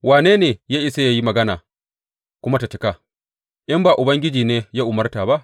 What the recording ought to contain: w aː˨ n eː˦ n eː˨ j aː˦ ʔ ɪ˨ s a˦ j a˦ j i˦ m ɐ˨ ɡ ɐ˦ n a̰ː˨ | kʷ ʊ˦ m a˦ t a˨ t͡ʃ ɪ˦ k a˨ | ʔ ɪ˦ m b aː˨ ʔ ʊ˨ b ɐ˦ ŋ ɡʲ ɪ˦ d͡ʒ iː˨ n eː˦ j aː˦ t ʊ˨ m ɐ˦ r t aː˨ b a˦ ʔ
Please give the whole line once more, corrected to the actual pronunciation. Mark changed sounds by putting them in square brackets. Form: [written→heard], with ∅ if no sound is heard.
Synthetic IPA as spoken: w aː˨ n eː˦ n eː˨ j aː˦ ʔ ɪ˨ s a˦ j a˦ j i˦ m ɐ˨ ɡ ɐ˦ n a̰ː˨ | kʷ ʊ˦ m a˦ t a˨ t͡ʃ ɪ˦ k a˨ | ʔ ɪ˦ m b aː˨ ʔ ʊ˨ b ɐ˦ ŋ ɡʲ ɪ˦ d͡ʒ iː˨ n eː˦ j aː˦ [t→ʔ] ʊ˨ m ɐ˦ r t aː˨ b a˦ ʔ